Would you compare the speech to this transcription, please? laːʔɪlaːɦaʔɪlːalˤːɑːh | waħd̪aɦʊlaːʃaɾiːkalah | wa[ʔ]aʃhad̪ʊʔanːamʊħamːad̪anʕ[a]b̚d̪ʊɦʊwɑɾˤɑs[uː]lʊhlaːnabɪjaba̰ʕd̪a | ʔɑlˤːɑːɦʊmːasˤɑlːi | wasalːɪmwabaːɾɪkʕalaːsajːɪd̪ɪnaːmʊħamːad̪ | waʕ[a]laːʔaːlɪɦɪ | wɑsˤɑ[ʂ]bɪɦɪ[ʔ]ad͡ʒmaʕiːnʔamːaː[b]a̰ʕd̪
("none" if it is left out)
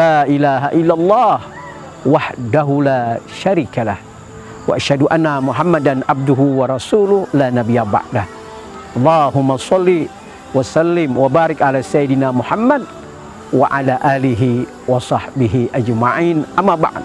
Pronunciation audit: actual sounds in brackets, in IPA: ʔ, a, uː, a, ħ, ʔ, b

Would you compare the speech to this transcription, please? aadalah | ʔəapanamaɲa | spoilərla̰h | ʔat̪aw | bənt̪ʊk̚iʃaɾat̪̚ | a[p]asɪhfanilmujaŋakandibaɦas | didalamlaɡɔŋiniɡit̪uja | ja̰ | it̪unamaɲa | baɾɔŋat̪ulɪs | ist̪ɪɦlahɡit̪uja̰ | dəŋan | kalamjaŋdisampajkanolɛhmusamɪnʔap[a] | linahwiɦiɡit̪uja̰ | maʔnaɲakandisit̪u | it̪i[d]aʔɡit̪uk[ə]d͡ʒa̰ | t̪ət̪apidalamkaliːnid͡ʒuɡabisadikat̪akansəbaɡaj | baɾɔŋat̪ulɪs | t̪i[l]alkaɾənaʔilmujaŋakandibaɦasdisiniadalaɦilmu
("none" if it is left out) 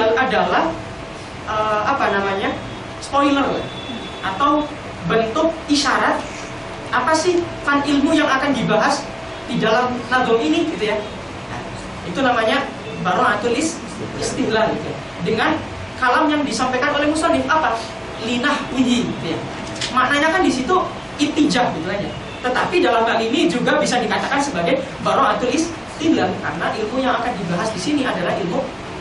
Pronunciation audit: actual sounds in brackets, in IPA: p, a, d͡ʒ, a, l

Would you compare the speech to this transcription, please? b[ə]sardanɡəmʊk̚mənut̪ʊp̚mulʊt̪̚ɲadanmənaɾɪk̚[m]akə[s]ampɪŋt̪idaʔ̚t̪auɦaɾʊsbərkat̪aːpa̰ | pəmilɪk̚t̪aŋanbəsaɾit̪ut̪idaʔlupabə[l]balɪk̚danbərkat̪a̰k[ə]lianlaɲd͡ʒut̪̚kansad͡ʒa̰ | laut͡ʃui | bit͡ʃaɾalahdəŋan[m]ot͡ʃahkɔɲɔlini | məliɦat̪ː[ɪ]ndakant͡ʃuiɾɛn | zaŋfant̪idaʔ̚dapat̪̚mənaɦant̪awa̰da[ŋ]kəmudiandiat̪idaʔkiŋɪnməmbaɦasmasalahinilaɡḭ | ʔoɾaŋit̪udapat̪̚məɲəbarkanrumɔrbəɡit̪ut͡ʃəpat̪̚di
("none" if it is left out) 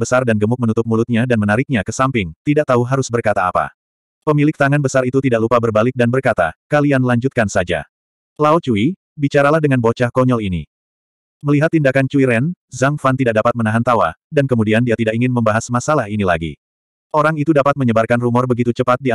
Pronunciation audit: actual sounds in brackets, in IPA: ə, ɲ, s, r, a, b, i, n

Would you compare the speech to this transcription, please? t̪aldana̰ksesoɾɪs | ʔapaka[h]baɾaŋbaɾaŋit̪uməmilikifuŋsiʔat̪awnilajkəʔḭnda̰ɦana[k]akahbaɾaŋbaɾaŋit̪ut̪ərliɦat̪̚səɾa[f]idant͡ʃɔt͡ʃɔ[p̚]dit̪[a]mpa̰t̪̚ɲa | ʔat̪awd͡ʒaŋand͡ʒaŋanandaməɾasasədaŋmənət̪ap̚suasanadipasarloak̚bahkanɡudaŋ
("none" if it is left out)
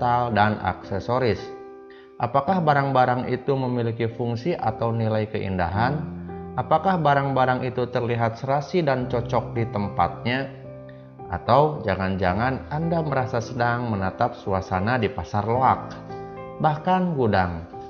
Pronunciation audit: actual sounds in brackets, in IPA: h, p, s, k̚, ə

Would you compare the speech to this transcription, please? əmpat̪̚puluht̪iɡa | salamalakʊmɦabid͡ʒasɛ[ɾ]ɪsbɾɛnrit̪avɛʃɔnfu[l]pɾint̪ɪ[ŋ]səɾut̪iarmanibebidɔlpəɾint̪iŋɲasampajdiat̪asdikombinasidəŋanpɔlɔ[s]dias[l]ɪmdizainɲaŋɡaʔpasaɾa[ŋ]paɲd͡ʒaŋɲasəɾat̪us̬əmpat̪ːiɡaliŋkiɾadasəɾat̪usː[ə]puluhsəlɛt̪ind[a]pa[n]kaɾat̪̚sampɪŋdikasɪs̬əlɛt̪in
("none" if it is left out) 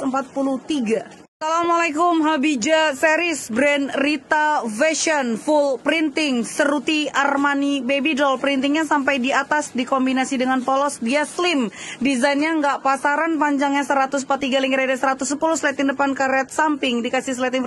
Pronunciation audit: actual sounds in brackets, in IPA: ɾ, l, ŋ, s, l, n, ə, ə, n

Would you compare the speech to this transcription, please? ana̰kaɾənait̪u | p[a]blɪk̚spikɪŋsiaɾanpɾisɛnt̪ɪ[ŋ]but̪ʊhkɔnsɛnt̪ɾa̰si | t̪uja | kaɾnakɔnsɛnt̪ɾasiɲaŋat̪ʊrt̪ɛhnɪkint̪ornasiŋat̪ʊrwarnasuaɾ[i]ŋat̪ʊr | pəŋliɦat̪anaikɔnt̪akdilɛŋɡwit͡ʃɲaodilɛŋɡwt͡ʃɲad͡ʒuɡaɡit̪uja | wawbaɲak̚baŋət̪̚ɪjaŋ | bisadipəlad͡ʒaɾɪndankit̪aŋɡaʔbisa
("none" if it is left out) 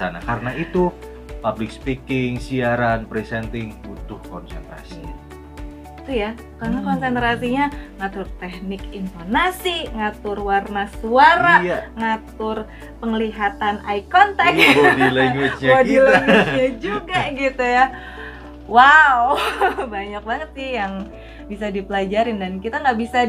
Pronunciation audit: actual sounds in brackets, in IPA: a, ŋ, a

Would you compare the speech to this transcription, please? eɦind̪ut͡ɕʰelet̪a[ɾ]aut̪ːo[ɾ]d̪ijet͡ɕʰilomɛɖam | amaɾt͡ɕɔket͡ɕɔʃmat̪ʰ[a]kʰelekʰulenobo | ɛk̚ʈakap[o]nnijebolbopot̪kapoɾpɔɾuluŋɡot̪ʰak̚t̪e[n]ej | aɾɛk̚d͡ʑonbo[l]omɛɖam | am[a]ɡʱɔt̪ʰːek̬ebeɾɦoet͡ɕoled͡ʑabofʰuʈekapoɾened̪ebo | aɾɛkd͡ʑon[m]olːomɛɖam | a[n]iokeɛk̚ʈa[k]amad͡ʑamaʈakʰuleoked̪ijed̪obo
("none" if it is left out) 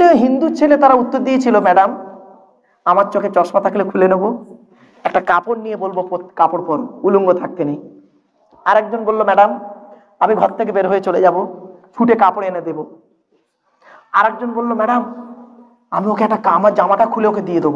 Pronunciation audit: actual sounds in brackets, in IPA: ɾ, ɾ, a, o, n, lː, i, b, m, k

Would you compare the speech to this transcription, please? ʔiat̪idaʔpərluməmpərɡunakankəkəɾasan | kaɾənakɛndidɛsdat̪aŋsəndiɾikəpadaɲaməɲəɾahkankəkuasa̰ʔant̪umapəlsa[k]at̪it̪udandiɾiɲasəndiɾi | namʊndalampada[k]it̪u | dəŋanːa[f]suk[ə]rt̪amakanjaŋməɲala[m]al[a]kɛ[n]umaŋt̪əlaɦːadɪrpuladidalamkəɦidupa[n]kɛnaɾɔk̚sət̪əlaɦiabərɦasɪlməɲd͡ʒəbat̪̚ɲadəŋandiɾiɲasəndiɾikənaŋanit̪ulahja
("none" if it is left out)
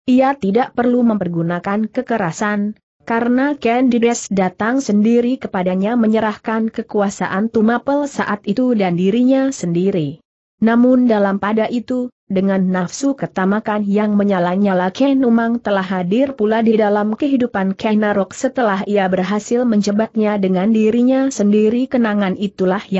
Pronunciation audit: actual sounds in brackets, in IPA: ʔ, ʔ, f, ə, ɲ, a, n, n

